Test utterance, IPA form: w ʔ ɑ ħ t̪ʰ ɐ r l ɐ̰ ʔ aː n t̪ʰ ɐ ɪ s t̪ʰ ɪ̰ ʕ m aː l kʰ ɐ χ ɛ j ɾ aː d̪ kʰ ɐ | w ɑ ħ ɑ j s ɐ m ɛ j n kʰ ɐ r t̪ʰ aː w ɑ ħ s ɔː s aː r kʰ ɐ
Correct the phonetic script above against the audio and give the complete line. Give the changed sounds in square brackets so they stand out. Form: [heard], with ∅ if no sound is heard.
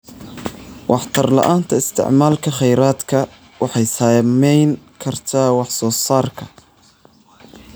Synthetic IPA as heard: w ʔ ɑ ħ t̪ʰ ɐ r l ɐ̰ ʔ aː n t̪ʰ ɐ ɪ s t̪ʰ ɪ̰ ʕ m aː l kʰ ɐ χ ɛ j ɾ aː d̪ kʰ ɐ | w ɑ ħ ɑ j s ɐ m ɛ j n kʰ ɐ r t̪ʰ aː w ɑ ħ s ɔː s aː r kʰ ɐ